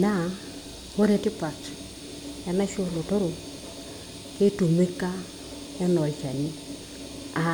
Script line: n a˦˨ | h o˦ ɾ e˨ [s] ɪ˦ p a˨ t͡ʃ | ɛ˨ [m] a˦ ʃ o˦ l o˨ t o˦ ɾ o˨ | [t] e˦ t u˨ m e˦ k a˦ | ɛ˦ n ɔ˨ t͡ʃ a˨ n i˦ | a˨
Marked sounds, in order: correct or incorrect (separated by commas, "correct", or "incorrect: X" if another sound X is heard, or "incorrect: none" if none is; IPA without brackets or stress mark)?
incorrect: t, incorrect: n, incorrect: k